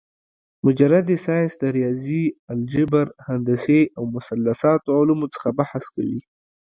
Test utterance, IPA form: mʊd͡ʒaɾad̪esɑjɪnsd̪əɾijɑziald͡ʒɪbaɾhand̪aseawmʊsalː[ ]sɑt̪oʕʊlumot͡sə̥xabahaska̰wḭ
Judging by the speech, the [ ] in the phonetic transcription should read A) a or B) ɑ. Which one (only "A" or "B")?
A